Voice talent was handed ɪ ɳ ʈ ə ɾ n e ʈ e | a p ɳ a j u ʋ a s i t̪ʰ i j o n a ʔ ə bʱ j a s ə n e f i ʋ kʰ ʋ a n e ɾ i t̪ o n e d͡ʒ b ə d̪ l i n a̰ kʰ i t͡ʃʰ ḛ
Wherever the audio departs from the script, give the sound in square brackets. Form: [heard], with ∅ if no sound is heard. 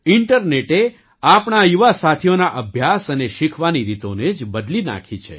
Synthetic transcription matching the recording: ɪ ɳ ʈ ə ɾ n e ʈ e | a p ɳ a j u ʋ a s [a] t̪ʰ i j o n a ʔ ə bʱ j a s ə n e [ʃ] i [∅] kʰ ʋ a n [i] ɾ i t̪ o n e d͡ʒ b ə d̪ l i n a̰ kʰ i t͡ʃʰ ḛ

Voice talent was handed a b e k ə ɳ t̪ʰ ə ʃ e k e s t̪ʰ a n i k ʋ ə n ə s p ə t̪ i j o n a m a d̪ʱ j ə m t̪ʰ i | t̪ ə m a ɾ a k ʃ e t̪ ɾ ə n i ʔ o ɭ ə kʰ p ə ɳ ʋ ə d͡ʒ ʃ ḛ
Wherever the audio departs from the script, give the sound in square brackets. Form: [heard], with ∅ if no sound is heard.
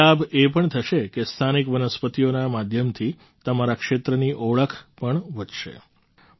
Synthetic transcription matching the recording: a b e [p] ə ɳ t̪ʰ ə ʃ e k e s t̪ʰ a n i k ʋ ə n ə s p ə t̪ i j o n a m a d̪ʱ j ə m t̪ʰ i | t̪ ə m a ɾ a k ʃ e t̪ ɾ ə n i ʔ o ɭ ə kʰ p ə ɳ ʋ ə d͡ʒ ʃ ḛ

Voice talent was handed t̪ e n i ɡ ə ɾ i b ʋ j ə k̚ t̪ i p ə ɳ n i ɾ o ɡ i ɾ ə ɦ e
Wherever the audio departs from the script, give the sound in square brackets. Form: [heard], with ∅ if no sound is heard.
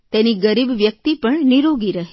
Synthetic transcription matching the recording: t̪ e n i ɡ ə ɾ i b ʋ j ə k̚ t̪ i p ə ɳ n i ɾ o ɡ i ɾ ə ɦ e

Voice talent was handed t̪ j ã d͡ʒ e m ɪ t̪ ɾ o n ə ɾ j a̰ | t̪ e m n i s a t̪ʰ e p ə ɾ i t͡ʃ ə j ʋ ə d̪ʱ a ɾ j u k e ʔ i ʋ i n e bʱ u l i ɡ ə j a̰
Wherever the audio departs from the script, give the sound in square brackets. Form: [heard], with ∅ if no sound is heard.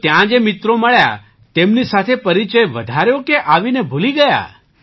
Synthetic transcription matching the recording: t̪ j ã d͡ʒ e m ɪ t̪ ɾ o [m] ə [ɭ] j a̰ | t̪ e m n i s a t̪ʰ e p ə ɾ i t͡ʃ ə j ʋ ə d̪ʱ a ɾ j [o] k e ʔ [a] ʋ i n e bʱ u l i ɡ ə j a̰

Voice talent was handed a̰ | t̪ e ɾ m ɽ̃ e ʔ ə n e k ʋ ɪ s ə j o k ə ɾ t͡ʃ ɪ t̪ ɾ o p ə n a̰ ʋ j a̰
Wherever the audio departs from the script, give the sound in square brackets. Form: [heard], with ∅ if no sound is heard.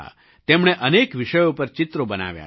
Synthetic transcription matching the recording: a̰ | t̪ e [∅] m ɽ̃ e ʔ ə n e k ʋ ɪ [ʃ] ə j o [p] ə ɾ t͡ʃ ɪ t̪ ɾ o [b] ə n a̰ ʋ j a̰

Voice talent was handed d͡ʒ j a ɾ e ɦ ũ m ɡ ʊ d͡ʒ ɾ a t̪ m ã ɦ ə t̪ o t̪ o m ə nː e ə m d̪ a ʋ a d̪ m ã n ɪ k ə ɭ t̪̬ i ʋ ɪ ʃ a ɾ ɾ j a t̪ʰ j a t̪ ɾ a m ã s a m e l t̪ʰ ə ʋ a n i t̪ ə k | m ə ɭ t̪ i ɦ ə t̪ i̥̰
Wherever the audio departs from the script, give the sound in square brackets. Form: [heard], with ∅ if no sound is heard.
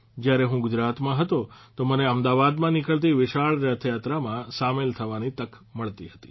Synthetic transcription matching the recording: d͡ʒ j a ɾ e ɦ ũ [∅] ɡ ʊ d͡ʒ ɾ a t̪ m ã ɦ ə t̪ o t̪ o m ə [n] e ə m d̪ a ʋ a d̪ m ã n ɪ k ə ɭ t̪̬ i ʋ ɪ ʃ a [ɭ] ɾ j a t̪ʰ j a t̪ ɾ a m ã s a m e l t̪ʰ ə ʋ a n i t̪ ə k | m ə ɭ t̪ i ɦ ə t̪ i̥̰

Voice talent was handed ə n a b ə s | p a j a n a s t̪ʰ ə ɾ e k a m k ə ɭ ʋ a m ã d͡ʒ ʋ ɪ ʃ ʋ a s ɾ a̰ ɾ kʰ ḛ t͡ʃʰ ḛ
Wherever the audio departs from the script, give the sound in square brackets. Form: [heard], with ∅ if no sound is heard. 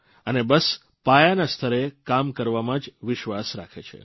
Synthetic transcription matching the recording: ə n [e] b ə s | p a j a n a s t̪ʰ ə ɾ e k a m k ə [ɾ] ʋ a m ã d͡ʒ ʋ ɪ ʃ ʋ a s ɾ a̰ [∅] kʰ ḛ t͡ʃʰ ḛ

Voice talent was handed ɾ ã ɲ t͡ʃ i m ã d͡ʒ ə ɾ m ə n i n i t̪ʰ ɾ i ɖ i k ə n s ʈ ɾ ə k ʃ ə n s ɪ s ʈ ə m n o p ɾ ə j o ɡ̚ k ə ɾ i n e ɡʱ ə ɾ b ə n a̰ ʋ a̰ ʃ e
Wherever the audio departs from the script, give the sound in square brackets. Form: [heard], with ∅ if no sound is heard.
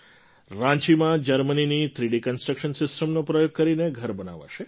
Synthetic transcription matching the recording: ɾ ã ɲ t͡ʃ i m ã d͡ʒ ə ɾ m ə n i n i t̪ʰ ɾ i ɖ i k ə n s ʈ ɾ ə k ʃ ə n s ɪ s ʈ ə m n o p ɾ ə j o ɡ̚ k ə ɾ i n e ɡʱ ə ɾ b ə n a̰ ʋ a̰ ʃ e

